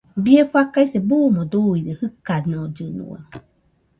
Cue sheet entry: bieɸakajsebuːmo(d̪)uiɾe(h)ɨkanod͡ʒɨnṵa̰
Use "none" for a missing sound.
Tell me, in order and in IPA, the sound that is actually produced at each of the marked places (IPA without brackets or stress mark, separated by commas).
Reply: d̪, h